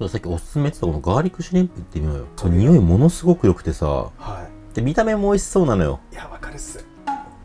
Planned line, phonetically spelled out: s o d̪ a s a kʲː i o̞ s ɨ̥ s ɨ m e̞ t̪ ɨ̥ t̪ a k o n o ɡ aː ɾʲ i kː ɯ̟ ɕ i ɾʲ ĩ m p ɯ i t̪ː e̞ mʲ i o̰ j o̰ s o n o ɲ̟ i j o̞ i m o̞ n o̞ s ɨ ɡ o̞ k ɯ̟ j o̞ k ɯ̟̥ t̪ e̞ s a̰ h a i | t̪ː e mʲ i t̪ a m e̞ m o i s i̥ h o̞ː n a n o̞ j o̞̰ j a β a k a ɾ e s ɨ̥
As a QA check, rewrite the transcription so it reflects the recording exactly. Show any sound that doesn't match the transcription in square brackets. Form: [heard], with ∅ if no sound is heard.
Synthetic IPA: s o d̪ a s a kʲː i o̞ s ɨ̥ s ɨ m e̞ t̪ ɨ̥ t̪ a k o n o ɡ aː ɾʲ i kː ɯ̟ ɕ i ɾʲ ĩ m p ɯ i t̪ː e̞ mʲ i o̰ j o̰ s o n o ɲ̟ i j o̞ i m o̞ n o̞ s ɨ ɡ o̞ k ɯ̟ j o̞ k ɯ̟̥ t̪ e̞ s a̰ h a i | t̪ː e mʲ i t̪ a m e̞ m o i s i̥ [s] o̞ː n a n o̞ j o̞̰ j a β a k a ɾ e s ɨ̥